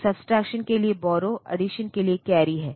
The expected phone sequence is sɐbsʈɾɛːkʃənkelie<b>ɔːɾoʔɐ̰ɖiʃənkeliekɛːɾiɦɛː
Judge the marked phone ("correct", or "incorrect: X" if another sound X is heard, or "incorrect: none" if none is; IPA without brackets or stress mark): correct